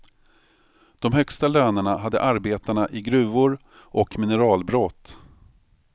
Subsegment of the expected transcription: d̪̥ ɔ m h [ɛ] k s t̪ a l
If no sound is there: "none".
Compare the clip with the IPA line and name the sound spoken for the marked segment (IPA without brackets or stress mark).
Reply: œ